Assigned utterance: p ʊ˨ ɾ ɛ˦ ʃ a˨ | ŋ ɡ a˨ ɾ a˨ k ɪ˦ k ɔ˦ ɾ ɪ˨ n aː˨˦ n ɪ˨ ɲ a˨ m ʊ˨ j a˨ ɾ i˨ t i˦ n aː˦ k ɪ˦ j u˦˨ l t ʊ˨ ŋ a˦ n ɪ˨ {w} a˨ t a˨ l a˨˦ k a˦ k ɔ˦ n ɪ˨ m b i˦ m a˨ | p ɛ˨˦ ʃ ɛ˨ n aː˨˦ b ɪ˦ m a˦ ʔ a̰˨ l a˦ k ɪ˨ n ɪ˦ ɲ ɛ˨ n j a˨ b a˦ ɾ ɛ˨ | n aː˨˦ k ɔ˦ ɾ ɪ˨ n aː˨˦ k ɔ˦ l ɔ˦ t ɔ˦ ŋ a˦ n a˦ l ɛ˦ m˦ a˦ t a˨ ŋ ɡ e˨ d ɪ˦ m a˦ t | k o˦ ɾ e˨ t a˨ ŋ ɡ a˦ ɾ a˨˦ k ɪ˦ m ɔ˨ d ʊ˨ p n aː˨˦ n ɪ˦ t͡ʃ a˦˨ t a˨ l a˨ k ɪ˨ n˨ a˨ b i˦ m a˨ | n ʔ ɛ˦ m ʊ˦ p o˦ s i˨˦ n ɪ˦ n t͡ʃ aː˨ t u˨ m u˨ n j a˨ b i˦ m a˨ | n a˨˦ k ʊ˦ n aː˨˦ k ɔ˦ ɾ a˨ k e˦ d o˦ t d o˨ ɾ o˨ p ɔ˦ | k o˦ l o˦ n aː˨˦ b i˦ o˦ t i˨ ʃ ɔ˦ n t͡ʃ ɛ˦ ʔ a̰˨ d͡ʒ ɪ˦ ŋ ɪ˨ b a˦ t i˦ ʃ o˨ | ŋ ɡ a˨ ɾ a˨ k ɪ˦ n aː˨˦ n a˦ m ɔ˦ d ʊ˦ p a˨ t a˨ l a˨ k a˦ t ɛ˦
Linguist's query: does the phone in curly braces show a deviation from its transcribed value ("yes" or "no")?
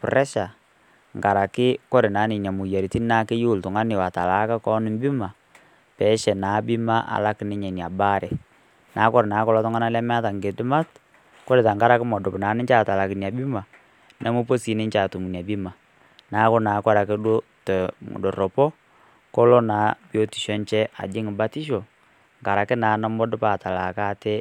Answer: no